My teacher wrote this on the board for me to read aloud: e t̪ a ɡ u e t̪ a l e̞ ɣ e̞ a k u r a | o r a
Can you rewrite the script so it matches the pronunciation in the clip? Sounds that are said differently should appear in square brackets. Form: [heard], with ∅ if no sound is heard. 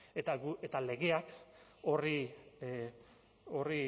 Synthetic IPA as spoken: e t̪ a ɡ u e t̪ a l e̞ ɣ e̞ a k [o] r [i] | o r [i]